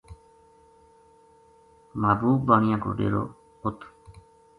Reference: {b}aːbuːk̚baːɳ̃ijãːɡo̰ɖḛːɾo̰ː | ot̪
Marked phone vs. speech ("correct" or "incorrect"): incorrect